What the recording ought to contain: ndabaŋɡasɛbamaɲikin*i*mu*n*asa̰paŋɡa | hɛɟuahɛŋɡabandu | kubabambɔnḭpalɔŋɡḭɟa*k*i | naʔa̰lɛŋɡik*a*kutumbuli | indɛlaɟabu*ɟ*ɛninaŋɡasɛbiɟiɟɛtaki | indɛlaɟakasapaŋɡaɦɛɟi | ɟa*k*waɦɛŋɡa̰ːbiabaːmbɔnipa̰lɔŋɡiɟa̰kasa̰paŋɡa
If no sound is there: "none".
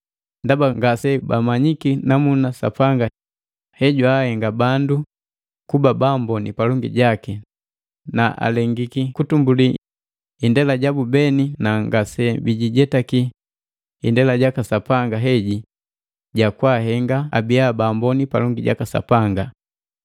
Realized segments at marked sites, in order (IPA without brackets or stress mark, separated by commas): a, n, k, i, b, k